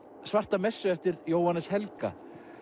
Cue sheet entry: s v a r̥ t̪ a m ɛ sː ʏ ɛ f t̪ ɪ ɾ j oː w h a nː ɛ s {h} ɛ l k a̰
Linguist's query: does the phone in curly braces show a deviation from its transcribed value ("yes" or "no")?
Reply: no